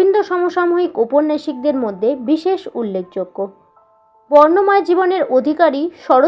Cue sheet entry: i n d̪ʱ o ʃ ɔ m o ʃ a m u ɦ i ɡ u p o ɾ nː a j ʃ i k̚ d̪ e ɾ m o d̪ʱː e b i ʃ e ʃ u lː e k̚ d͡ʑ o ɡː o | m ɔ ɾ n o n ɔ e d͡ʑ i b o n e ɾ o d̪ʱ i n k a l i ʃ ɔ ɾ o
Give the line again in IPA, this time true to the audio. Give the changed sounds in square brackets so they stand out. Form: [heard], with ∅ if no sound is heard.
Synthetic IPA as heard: i n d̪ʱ o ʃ ɔ m o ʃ a m u ɦ i [k] u p o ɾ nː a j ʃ i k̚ d̪ e ɾ m o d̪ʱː e b i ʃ e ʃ u lː e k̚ d͡ʑ o ɡː o | [b] ɔ ɾ n o [m] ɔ e d͡ʑ i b o n e ɾ o d̪ʱ i [∅] k a [ɾ] i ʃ ɔ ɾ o